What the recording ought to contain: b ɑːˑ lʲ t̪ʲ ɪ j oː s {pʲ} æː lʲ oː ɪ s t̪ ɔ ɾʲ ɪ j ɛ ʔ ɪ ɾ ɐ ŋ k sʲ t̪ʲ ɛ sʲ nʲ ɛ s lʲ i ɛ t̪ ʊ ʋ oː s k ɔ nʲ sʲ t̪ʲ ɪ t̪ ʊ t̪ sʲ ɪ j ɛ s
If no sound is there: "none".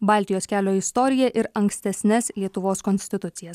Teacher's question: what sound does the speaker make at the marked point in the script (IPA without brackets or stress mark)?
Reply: kʲ